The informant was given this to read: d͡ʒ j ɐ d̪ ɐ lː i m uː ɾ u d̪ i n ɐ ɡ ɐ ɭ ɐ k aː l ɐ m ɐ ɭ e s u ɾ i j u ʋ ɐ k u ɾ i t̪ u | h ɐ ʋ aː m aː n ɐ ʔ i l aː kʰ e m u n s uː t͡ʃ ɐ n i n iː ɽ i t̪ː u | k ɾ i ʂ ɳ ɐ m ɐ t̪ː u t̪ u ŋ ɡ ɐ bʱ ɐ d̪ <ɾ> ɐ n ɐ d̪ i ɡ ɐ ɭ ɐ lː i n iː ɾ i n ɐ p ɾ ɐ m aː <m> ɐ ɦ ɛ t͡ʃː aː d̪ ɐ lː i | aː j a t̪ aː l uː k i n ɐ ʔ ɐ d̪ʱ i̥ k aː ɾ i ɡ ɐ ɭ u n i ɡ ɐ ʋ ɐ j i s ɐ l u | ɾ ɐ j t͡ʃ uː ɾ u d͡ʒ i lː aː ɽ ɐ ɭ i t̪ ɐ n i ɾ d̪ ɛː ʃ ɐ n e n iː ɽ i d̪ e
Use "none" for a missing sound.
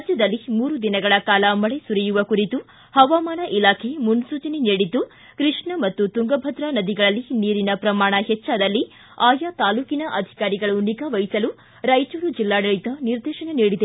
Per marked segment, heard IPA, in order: ɾ, ɳ

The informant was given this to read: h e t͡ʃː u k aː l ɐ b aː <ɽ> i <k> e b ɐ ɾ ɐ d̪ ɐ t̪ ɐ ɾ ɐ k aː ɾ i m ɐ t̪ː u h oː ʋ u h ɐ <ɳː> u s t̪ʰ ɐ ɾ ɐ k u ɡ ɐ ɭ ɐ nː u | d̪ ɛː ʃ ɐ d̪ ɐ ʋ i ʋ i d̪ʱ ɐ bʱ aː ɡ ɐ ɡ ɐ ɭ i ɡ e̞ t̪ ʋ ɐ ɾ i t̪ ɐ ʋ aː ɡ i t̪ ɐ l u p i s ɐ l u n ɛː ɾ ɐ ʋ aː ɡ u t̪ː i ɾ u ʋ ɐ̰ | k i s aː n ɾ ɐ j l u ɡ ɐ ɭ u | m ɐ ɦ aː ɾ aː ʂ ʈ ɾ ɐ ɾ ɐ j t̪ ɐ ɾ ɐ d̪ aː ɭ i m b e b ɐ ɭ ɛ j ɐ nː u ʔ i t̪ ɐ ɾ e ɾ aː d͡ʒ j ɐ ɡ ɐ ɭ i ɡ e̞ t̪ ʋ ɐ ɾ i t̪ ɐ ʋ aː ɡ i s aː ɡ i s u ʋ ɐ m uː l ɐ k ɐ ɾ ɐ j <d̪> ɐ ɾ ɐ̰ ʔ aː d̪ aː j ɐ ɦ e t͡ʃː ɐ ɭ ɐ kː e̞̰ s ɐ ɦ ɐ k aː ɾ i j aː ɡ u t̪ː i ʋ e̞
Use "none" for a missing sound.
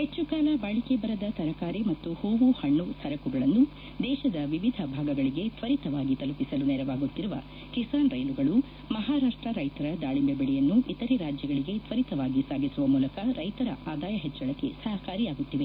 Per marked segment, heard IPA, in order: ɭ, k, ɳː, t̪

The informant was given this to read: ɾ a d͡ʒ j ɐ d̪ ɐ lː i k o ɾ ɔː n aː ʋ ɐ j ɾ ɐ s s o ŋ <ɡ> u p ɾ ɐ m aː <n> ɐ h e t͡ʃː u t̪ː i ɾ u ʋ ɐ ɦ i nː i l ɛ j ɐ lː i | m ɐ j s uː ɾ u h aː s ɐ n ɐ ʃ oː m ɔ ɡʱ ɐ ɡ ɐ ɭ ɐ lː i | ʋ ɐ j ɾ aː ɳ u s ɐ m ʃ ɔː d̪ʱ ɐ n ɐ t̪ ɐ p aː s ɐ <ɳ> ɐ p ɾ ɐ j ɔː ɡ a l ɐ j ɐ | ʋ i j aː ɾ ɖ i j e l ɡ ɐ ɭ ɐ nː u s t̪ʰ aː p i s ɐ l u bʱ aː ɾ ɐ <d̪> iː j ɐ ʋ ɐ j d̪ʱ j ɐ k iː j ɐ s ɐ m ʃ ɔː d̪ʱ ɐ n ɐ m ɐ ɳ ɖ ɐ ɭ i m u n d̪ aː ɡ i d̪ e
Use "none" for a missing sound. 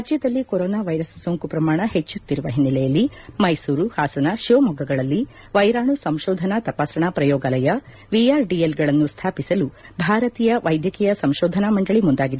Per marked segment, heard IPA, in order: k, ɳ, ɳ, t̪

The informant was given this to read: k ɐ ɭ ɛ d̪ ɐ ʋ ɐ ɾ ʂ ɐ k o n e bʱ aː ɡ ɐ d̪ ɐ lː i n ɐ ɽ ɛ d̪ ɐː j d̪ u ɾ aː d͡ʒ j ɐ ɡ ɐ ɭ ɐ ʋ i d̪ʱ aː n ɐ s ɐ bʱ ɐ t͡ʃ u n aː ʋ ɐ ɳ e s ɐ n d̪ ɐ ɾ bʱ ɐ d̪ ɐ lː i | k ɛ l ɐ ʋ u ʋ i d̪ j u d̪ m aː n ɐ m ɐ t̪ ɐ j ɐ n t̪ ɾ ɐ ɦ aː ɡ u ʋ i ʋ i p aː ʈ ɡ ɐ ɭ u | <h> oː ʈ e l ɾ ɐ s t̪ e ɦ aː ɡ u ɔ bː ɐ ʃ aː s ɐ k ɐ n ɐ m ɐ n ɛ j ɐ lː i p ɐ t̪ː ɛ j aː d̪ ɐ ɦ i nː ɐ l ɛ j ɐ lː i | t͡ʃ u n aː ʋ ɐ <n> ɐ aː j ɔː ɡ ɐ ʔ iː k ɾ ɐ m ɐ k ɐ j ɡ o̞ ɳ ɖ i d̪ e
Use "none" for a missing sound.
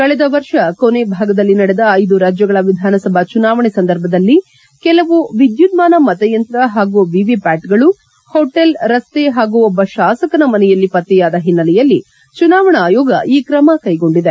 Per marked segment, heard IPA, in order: h, ɳ

